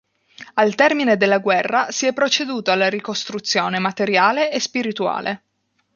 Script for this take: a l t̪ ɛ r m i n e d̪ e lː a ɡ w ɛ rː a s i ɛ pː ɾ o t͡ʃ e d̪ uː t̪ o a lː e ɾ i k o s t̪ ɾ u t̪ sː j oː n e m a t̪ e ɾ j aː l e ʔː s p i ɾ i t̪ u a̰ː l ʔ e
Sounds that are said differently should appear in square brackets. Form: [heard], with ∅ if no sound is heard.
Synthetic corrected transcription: a l t̪ ɛ r m i n e d̪ e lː a ɡ w ɛ rː a s i ɛ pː ɾ o t͡ʃ e d̪ uː t̪ o a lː [a] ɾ i k o s t̪ ɾ u t̪ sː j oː n e m a t̪ e ɾ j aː l e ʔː s p i ɾ i t̪ u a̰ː l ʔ e